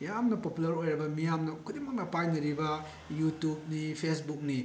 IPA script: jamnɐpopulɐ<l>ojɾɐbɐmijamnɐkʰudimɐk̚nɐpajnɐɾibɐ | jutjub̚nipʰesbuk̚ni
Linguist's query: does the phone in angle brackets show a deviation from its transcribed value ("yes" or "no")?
yes